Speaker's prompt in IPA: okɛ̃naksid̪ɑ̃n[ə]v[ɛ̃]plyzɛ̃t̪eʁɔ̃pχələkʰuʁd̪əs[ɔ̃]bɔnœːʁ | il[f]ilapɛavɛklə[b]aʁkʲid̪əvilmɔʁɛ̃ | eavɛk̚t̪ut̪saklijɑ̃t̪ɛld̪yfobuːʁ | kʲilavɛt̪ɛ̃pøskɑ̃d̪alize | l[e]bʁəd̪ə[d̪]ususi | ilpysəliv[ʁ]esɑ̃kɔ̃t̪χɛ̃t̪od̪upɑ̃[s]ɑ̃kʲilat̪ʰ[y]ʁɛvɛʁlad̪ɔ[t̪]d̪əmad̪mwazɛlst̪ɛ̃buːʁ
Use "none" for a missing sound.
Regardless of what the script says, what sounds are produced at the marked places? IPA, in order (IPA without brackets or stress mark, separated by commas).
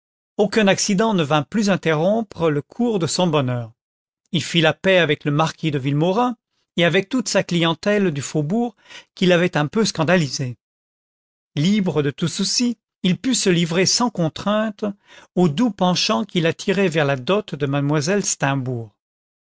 ə, ɛ̃, ɔ̃, f, m, i, t̪, ʁ, ʃ, i, t̪